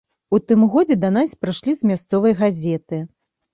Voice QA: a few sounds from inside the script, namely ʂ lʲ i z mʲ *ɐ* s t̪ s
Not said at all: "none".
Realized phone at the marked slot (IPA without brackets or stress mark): a